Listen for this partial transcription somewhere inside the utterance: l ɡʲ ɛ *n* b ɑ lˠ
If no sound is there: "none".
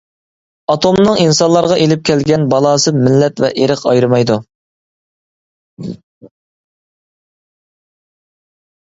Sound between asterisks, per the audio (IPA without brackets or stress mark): n